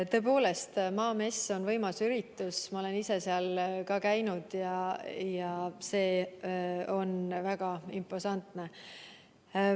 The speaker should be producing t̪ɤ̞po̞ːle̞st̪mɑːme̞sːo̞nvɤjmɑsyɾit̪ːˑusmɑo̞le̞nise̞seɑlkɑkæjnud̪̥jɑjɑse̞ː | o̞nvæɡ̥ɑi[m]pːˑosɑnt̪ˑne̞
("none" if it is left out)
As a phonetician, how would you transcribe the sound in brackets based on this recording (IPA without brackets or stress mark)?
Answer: m